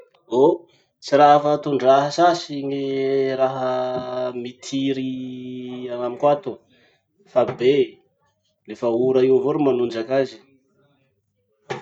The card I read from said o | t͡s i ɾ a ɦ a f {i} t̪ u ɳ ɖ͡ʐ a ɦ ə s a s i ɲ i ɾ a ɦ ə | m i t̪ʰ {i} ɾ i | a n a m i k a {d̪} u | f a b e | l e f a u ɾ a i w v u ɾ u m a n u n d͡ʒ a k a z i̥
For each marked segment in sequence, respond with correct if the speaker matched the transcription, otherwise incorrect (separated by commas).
incorrect, correct, incorrect